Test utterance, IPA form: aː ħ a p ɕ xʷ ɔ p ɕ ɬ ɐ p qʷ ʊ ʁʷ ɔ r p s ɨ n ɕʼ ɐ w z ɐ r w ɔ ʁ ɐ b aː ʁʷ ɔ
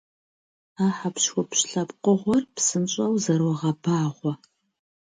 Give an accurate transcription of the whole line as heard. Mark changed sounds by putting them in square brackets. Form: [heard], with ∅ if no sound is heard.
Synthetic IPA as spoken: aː ħ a p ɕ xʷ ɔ p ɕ ɬ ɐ p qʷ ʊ ʁʷ ɔ r p s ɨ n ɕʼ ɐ w z ɐ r w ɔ ʁ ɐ b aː ʁʷ ɔ